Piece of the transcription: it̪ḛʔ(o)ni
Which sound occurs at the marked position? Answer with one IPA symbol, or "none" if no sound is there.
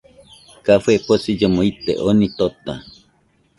o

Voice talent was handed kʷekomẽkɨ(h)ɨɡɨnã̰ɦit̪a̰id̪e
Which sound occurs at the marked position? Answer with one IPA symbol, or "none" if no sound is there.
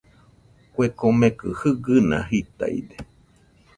h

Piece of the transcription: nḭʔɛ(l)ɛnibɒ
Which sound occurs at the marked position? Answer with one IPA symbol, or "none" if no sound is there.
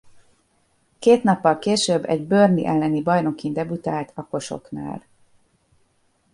lː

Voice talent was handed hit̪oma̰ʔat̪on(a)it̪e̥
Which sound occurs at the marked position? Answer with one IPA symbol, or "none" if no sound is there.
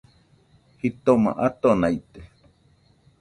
a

